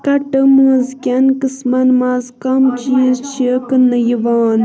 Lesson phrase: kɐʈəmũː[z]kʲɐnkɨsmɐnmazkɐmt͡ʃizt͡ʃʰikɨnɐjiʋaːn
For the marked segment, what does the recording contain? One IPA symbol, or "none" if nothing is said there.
z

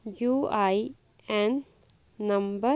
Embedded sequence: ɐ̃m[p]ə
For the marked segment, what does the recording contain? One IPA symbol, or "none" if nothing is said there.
b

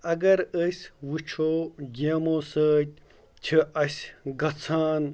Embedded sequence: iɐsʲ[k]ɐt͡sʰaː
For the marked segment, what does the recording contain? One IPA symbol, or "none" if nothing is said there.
ɡ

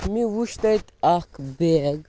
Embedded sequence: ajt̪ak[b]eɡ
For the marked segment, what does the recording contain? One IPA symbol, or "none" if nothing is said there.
b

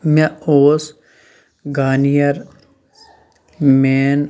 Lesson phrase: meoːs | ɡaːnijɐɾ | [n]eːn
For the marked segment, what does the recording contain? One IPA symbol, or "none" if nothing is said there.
m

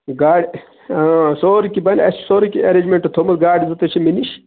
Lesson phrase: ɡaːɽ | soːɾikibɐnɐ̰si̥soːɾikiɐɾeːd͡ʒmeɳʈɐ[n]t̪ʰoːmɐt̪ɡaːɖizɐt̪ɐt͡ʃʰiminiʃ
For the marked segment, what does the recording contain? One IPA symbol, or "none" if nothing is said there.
none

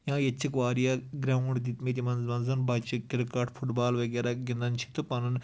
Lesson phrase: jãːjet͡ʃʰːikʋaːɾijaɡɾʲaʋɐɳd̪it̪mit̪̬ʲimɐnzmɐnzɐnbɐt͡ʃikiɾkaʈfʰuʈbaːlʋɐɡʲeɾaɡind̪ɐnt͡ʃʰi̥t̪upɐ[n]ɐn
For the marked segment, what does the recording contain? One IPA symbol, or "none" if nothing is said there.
n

